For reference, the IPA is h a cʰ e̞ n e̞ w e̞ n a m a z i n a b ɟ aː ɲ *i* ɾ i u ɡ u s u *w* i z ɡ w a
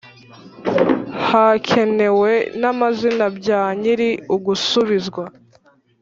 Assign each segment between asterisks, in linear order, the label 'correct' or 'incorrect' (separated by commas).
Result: correct, incorrect